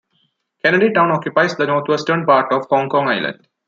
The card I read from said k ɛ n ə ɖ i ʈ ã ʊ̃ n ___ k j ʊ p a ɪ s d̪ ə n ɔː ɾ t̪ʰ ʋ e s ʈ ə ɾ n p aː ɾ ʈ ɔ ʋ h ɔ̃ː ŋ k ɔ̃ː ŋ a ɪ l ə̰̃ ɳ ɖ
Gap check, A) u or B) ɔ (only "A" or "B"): B